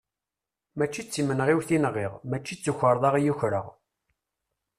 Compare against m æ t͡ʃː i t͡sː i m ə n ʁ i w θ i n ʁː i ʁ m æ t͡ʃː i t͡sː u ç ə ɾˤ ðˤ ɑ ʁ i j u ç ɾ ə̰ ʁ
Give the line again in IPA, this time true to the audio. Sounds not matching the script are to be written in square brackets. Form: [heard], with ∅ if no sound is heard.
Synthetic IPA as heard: m æ t͡ʃː i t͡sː i m ə n ʁ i w θ i n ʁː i ʁ m æ t͡ʃː i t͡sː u ç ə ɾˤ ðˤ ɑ ʁ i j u ç ɾ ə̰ ʁ